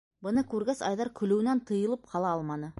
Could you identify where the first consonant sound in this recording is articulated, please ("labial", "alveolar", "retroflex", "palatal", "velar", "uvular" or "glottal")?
labial